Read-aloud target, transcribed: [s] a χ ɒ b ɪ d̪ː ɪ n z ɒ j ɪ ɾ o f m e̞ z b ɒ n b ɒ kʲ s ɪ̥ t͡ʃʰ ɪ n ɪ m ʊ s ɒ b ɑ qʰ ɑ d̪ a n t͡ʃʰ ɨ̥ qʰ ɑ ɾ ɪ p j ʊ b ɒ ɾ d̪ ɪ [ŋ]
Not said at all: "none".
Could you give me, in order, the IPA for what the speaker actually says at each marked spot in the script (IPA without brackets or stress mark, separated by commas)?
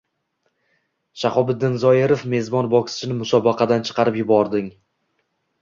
ʃ, ŋ